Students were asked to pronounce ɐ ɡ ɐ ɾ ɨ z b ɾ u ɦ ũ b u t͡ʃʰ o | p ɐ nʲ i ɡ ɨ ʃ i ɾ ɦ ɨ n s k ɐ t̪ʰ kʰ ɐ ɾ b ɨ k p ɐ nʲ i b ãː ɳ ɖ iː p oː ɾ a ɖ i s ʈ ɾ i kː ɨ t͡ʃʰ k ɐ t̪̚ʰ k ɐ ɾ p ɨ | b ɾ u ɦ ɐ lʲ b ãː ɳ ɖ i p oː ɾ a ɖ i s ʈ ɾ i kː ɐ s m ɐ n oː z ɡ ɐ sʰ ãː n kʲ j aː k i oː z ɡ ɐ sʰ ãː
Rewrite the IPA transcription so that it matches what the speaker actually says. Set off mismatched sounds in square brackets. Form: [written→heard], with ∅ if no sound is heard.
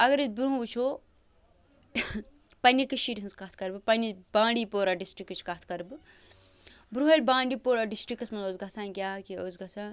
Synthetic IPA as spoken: ɐ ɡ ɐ ɾ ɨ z b ɾ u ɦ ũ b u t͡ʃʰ o | p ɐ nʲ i [ɡ→k] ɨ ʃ i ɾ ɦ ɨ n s k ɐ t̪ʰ [kʰ→k] ɐ ɾ b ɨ [k→∅] p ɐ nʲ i b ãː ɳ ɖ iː p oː ɾ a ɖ i s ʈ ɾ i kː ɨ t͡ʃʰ k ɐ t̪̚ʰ k ɐ ɾ [p→b] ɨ | b ɾ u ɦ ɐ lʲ b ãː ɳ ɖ i p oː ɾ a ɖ i s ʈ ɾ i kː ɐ s m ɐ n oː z ɡ ɐ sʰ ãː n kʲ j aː k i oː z ɡ ɐ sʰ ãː